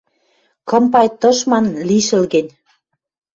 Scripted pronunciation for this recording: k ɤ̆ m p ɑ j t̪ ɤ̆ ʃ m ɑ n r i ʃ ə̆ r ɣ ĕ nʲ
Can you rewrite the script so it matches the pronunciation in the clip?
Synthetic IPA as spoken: k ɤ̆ m p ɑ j t̪ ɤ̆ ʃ m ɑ n l i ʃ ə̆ l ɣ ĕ nʲ